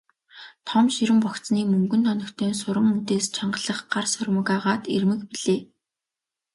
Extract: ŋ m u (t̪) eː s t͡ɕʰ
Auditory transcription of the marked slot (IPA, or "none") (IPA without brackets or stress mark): t̪